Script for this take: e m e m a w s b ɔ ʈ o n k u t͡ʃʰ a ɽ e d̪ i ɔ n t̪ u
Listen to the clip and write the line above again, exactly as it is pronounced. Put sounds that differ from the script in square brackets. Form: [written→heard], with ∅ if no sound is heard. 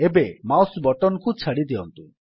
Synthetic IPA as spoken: e [m→b] e m a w s b ɔ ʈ [o→ɔ] n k u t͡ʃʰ a ɽ [e→i] d̪ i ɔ n t̪ u